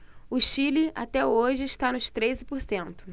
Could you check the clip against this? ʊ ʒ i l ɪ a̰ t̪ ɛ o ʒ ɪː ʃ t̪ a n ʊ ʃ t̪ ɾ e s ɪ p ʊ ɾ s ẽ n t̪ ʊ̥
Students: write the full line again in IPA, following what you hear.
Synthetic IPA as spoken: ʊ ʃ i l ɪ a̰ t̪ ɛ o ʒ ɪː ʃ t̪ a n ʊ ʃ t̪ ɾ e z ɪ p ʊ ɾ s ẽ n t̪ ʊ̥